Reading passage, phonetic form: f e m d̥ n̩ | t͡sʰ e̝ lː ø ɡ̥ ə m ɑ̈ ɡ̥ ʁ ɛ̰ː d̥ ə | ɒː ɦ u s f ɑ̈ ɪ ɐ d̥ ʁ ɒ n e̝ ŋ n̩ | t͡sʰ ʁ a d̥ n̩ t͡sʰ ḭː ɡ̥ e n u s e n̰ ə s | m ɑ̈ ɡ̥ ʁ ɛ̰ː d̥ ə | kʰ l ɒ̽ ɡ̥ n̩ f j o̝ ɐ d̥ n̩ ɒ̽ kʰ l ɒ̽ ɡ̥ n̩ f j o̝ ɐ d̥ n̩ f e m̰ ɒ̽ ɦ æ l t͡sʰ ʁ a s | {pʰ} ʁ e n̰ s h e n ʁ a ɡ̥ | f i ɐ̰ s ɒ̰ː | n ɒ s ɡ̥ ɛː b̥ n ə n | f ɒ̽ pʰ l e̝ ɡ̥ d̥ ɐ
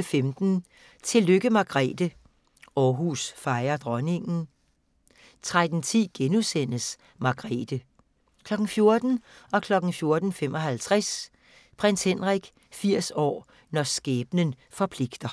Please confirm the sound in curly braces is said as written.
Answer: yes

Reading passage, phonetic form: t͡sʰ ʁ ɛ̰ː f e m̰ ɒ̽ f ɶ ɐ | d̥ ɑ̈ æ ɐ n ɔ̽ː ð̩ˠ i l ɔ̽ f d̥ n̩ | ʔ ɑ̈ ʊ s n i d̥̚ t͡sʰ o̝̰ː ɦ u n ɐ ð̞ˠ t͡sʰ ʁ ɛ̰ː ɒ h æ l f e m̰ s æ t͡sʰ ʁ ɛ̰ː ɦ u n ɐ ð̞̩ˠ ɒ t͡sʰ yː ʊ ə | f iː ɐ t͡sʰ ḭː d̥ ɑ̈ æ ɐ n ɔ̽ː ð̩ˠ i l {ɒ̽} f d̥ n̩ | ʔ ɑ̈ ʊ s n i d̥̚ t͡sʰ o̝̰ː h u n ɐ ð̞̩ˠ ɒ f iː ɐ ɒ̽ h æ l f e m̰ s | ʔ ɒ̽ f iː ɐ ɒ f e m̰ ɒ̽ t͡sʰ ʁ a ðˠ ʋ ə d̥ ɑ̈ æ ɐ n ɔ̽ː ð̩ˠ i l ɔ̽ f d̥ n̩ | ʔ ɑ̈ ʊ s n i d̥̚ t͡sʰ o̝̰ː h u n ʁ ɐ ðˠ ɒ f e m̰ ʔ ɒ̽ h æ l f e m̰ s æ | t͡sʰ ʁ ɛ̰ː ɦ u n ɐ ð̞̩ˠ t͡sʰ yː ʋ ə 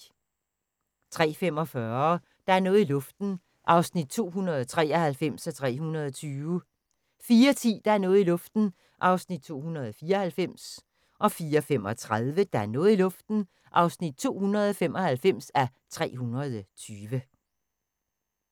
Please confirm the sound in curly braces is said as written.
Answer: no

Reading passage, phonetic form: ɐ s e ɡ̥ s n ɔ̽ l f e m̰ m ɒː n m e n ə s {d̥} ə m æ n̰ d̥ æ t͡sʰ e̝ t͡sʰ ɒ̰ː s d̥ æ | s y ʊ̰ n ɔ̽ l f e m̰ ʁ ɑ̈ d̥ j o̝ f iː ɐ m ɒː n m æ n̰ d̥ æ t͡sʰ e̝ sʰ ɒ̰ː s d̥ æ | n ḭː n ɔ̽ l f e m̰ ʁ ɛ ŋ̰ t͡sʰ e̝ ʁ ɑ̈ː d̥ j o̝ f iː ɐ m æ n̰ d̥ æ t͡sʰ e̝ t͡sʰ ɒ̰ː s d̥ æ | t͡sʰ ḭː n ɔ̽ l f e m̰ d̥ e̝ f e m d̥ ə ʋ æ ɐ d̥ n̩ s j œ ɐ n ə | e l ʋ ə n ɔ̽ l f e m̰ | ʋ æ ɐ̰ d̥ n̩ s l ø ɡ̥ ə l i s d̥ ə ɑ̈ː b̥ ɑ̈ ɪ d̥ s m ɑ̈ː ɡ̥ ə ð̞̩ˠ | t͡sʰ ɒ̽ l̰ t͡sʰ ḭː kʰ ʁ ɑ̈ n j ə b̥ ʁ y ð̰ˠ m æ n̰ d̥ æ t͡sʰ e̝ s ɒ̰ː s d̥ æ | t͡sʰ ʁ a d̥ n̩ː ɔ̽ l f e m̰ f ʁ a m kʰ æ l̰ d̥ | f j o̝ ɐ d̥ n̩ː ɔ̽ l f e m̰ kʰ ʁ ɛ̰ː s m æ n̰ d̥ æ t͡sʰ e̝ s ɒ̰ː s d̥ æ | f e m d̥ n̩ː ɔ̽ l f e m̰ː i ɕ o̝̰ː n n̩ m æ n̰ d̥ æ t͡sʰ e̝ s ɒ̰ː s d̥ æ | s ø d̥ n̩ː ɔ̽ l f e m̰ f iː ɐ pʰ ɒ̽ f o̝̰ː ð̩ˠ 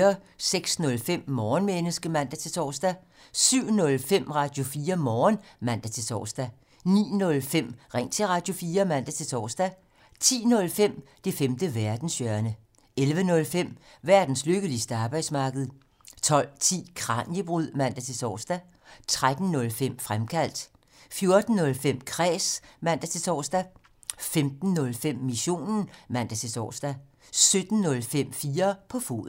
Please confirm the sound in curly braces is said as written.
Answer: no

